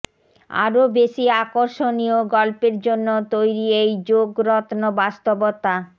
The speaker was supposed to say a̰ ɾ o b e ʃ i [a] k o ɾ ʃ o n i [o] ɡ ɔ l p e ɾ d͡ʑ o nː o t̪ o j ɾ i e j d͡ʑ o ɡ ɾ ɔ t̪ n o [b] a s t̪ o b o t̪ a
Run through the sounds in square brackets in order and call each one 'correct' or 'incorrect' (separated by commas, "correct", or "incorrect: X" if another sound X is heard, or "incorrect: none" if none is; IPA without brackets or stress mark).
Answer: correct, correct, correct